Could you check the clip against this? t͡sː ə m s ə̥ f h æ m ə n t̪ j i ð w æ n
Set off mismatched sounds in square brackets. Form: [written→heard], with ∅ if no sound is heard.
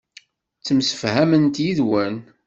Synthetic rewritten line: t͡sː ə m s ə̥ f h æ m ə n t̪ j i ð w æ n